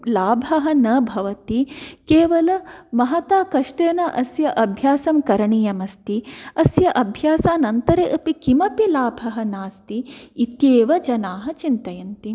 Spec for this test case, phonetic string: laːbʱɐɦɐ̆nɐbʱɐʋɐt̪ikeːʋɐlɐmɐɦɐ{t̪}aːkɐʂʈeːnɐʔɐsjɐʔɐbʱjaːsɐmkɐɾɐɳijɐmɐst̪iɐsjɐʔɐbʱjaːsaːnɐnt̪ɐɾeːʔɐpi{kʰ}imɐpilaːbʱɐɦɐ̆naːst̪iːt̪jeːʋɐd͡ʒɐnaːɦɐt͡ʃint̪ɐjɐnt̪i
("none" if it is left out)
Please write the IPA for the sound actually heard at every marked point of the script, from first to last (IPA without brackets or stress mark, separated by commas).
t̪, k